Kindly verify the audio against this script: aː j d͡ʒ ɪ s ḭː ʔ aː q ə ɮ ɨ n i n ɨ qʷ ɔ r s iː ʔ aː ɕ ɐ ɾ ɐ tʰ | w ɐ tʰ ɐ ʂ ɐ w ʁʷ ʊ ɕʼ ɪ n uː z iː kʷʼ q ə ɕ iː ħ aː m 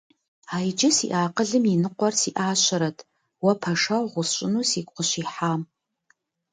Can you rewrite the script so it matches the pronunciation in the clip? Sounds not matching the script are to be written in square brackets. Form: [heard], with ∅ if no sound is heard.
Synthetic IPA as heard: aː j d͡ʒ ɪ s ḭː ʔ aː q ə ɮ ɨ [m] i n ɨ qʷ ɔ r s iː ʔ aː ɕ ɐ ɾ ɐ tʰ | w ɐ [pʰ] ɐ ʂ ɐ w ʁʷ ʊ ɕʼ ɪ n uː [s] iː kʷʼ q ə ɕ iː ħ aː m